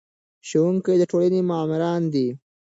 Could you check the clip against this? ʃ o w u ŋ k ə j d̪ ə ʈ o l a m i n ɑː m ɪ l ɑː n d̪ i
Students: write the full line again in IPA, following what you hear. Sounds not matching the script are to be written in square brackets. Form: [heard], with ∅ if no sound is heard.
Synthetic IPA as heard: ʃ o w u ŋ k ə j d̪ ə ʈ o l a [n] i [m] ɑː m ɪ [ɾ] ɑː n d̪ i

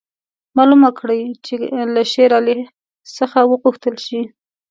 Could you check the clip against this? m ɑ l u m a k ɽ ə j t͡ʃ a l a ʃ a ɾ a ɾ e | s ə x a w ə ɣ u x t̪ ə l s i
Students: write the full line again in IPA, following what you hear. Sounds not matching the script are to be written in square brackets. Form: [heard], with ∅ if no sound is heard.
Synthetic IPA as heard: m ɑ l u m a k ɽ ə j t͡ʃ [e] l a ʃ [e] ɾ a [l] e | s ə x a w ə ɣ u x t̪ ə l [ʃ] i

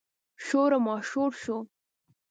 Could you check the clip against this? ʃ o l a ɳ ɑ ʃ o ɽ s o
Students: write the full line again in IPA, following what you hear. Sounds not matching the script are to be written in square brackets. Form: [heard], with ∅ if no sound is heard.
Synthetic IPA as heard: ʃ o [ɾ] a [m] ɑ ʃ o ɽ [ʃ] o

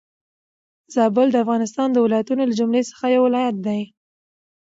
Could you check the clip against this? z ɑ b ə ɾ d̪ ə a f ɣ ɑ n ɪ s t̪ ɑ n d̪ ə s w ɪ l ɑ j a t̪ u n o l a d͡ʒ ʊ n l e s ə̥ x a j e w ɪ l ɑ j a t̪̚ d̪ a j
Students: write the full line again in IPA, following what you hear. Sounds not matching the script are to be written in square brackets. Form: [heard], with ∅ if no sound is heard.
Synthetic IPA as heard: z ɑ b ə [l] d̪ ə a f ɣ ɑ n ɪ s t̪ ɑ n d̪ ə [∅] w ɪ l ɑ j a t̪ u n o l a d͡ʒ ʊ [m] l e s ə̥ x a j [a] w ɪ l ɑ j a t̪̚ d̪ a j

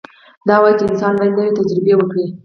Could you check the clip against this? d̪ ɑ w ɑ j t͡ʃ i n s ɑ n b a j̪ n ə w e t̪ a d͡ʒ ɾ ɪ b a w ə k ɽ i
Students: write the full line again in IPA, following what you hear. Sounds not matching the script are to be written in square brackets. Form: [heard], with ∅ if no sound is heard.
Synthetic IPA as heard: d̪ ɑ w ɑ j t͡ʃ [ɪ] n s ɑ n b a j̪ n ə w e t̪ a d͡ʒ ɾ ɪ b [e] w ə k ɽ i

